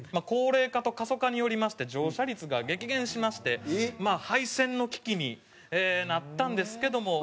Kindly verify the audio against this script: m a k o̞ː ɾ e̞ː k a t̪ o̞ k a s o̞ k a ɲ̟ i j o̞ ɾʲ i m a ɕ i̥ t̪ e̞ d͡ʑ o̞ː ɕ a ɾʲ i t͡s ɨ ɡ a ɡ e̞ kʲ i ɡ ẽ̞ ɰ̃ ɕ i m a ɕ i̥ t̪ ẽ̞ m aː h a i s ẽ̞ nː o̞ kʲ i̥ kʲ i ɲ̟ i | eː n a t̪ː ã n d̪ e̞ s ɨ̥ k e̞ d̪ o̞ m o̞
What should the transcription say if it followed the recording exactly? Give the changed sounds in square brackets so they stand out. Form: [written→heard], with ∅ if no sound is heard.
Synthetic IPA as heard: m a k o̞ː ɾ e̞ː k a t̪ o̞ k a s o̞ k a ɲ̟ i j o̞ ɾʲ i m a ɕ i̥ t̪ e̞ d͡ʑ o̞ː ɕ a ɾʲ i t͡s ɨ ɡ a ɡ e̞ kʲ i ɡ ẽ̞ ɰ̃ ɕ i m a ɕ i̥ t̪ [ẽ̞→e̞] m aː h a i s ẽ̞ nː o̞ kʲ i̥ kʲ i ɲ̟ i | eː n a t̪ː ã n d̪ e̞ s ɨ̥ k e̞ d̪ o̞ m o̞